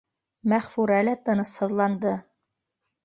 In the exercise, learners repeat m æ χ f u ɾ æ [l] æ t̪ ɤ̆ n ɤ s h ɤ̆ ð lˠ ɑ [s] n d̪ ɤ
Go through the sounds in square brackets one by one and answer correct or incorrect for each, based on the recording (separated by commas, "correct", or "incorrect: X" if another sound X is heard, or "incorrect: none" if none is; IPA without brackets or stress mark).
correct, incorrect: none